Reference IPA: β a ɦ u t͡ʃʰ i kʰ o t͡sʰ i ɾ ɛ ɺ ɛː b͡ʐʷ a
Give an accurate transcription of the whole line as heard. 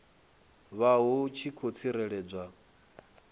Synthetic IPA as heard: β a ɦ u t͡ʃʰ i kʰ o t͡sʰ i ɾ ɛ ɺ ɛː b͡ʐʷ a